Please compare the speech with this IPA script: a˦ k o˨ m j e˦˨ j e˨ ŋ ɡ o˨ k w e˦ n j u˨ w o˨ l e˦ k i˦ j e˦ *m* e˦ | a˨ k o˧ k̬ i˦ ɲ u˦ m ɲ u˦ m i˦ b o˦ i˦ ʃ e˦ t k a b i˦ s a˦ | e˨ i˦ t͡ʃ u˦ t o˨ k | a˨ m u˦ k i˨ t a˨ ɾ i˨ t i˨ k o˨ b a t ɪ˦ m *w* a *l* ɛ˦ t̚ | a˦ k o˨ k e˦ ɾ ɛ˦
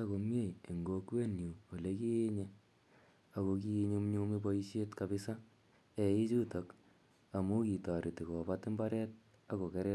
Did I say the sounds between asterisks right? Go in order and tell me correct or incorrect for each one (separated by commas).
incorrect, incorrect, incorrect